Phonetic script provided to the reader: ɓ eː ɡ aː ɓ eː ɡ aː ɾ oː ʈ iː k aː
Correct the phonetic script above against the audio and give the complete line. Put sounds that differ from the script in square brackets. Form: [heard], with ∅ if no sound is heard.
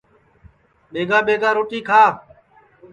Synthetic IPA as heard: ɓ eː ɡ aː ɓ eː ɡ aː ɾ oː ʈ iː [kʰ] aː